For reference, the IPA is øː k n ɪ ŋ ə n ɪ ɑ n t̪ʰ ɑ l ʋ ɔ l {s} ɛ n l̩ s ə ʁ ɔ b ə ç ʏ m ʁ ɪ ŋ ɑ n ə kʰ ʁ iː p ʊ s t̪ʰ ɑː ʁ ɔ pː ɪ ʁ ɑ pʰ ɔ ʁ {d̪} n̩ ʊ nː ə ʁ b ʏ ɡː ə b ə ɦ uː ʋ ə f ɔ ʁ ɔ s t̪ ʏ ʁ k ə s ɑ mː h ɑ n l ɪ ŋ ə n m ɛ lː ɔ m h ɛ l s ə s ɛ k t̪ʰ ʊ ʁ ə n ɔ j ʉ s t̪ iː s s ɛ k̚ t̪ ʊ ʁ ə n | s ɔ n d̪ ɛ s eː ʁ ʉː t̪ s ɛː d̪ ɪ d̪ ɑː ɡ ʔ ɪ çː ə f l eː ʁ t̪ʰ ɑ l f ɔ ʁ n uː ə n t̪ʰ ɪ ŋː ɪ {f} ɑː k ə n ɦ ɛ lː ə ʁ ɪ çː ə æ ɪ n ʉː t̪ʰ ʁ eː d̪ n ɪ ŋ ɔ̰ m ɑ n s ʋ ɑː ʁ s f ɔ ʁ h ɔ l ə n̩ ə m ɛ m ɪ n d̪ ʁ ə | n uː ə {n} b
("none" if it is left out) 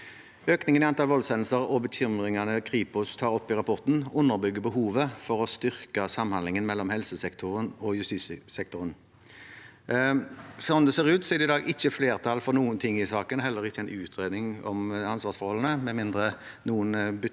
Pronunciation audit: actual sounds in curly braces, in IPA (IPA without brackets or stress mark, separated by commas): s, t̪, s, n